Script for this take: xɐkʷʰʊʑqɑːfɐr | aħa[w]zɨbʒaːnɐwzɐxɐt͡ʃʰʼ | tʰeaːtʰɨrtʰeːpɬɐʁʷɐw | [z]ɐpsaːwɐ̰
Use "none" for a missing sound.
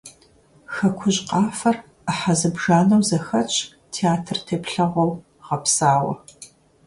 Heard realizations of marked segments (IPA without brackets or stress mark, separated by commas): none, ʁ